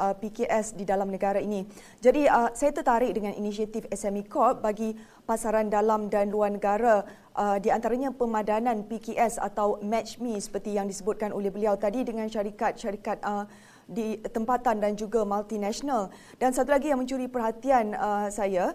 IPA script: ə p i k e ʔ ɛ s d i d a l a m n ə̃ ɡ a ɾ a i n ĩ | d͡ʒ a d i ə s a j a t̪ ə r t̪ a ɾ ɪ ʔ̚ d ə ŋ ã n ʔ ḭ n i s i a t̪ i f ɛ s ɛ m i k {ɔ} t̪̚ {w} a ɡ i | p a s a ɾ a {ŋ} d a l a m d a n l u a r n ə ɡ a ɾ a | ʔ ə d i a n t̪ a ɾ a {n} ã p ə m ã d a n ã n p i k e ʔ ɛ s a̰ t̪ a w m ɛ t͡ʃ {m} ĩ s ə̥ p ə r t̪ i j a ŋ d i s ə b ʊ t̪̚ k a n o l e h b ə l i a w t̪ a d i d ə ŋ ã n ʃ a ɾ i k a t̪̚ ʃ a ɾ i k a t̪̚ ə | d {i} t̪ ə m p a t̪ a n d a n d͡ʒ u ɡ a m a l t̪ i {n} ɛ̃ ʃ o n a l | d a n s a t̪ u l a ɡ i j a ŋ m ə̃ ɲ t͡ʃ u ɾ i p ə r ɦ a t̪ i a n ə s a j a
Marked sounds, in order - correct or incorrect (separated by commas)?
correct, incorrect, incorrect, incorrect, correct, correct, correct